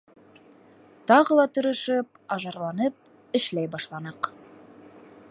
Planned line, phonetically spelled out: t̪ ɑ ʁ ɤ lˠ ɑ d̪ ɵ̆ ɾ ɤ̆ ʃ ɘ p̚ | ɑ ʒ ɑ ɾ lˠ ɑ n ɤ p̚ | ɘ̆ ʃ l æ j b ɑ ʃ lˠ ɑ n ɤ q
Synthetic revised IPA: t̪ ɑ ʁ ɤ lˠ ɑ t̪ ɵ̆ ɾ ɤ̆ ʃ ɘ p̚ | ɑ ʒ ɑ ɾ lˠ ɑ n ɤ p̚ | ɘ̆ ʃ l æ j b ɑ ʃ lˠ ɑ n ɤ q